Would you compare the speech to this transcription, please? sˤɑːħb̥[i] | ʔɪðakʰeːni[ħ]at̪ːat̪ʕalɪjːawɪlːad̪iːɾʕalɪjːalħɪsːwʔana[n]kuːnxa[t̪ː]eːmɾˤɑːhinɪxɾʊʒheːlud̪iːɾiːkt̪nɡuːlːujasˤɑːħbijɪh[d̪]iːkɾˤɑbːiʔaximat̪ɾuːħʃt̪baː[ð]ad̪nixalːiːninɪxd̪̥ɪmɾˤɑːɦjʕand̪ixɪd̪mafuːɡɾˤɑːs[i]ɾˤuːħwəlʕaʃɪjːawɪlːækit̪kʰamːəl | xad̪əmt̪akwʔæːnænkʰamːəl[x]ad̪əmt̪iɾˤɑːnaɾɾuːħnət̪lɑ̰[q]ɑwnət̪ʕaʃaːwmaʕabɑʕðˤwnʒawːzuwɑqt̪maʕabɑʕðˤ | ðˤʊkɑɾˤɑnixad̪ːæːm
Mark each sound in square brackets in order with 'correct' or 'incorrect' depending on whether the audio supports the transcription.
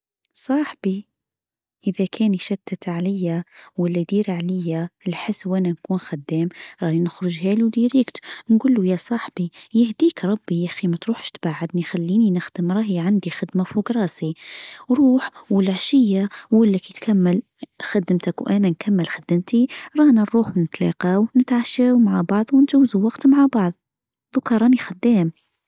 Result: correct, incorrect: ʃ, correct, incorrect: d̪ː, correct, incorrect: ʕ, correct, correct, correct

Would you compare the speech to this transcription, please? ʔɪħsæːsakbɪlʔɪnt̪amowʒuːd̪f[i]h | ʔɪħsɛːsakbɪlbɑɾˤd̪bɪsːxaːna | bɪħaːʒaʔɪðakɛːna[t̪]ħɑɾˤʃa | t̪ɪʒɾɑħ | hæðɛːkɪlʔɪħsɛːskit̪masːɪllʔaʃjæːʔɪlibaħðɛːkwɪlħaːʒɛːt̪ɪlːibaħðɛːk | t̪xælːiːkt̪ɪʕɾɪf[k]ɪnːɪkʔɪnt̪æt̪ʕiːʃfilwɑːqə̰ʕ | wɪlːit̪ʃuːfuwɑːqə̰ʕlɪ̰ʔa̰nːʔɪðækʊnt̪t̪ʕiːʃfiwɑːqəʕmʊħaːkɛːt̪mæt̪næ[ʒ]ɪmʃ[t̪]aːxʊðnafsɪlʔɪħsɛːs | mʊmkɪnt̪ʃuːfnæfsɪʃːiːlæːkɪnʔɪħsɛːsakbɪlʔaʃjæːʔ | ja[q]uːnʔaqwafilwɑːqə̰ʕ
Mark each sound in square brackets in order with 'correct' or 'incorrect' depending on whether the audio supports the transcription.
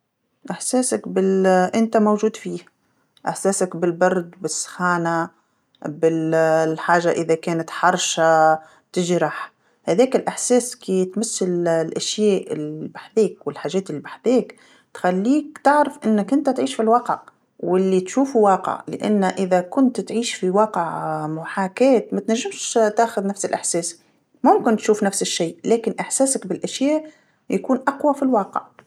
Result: incorrect: iː, correct, incorrect: ʔ, incorrect: ʒː, correct, incorrect: k

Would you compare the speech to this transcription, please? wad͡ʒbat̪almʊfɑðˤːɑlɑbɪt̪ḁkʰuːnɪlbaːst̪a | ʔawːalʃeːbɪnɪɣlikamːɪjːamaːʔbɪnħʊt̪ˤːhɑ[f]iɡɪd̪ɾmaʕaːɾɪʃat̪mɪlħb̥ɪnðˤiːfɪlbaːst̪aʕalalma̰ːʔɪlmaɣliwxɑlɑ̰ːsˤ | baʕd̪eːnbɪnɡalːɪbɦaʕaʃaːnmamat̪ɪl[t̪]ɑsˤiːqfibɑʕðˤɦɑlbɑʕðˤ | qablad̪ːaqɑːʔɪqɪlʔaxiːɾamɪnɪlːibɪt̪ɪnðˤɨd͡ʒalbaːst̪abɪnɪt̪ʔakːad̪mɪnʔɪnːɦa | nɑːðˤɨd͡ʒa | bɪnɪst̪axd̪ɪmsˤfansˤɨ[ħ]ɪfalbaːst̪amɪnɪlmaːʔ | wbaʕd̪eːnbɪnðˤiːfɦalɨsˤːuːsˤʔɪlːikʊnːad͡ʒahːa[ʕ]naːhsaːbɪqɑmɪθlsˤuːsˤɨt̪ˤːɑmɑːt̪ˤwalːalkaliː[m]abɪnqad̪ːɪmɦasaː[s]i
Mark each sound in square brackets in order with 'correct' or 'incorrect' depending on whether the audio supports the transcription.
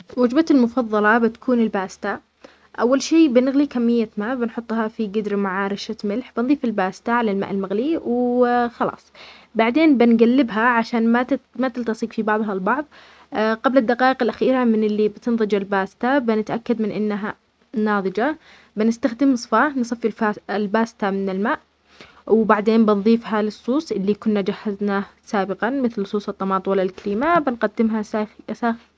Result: correct, correct, incorrect: f, incorrect: z, correct, incorrect: x

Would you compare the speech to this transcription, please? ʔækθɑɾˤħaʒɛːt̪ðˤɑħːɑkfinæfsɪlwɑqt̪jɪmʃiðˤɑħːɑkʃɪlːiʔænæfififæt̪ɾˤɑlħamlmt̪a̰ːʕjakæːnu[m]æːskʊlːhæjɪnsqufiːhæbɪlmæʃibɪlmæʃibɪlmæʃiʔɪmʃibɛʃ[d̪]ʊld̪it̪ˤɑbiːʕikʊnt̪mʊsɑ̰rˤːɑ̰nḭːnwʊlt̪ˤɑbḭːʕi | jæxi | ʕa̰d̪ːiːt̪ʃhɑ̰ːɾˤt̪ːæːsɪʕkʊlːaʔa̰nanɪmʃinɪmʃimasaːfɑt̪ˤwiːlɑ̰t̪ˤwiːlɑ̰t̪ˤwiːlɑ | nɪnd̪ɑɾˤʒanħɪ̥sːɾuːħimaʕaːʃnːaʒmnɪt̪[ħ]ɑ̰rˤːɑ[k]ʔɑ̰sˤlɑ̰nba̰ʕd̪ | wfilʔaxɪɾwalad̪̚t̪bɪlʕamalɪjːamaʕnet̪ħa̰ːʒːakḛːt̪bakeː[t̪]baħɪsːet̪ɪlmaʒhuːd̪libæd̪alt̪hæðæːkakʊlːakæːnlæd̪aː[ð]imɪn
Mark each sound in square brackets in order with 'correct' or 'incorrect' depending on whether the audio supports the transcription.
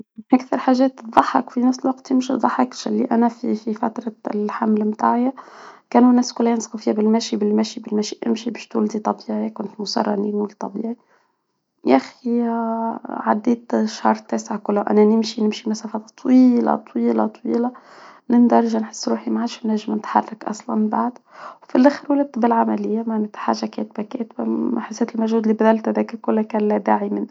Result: incorrect: n, incorrect: t̪, correct, correct, correct, incorrect: ʕ

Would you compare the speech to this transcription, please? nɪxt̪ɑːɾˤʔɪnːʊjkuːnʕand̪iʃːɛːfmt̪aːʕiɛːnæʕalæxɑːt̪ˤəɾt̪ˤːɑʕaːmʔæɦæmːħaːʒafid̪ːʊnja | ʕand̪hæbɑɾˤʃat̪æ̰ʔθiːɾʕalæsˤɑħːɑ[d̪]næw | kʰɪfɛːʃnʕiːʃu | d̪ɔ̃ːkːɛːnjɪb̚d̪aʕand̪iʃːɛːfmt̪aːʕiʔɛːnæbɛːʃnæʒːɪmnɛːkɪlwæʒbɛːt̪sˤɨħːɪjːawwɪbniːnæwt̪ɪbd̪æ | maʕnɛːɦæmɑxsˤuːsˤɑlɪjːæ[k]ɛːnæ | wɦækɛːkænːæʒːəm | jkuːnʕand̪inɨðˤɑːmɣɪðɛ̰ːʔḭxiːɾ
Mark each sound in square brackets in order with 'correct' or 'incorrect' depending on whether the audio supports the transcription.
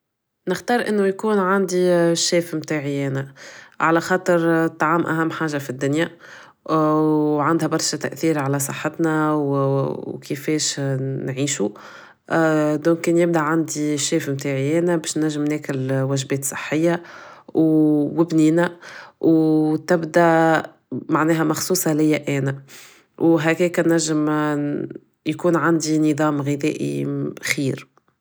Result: incorrect: t̪, incorrect: ʔ

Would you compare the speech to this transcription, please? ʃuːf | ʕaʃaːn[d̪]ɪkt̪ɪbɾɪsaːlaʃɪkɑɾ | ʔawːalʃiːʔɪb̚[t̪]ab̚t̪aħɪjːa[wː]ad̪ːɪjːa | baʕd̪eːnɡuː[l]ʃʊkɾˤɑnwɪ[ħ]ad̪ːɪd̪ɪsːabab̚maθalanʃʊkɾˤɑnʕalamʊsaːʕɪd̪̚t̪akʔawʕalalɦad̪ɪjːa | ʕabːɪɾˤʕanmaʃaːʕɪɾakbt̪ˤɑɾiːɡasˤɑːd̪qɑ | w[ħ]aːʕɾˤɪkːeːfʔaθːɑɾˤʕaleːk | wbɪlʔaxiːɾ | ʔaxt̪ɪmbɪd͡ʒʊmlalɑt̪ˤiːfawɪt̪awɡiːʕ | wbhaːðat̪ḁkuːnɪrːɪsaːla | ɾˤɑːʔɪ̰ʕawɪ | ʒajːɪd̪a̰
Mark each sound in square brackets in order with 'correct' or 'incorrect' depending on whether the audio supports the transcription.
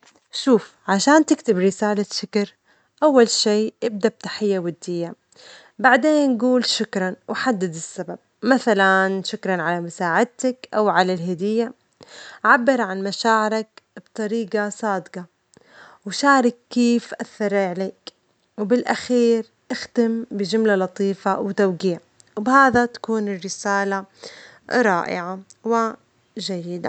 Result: incorrect: t̪, incorrect: d̪, incorrect: w, correct, correct, incorrect: ʃ

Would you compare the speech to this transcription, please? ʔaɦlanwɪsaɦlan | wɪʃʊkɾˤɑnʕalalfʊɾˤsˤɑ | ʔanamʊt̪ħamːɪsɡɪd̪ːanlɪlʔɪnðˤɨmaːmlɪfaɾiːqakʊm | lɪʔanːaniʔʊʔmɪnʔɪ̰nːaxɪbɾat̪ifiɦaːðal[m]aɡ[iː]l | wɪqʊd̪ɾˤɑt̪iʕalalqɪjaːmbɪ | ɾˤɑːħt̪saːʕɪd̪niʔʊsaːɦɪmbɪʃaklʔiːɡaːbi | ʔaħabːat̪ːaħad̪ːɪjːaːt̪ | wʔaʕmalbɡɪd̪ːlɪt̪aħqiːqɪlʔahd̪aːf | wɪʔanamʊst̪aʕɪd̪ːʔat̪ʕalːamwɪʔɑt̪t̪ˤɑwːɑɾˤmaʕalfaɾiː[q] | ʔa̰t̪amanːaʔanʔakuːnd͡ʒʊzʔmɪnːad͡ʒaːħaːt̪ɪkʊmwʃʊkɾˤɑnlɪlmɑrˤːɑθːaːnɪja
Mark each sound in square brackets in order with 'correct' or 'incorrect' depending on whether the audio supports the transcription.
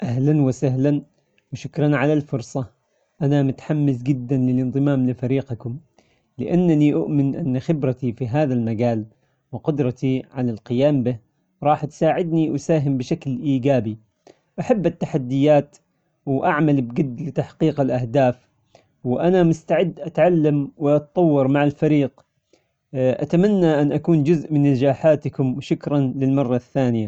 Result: correct, incorrect: aː, correct

